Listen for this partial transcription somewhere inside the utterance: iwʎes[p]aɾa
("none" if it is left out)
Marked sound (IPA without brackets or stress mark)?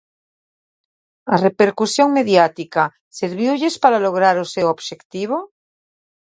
p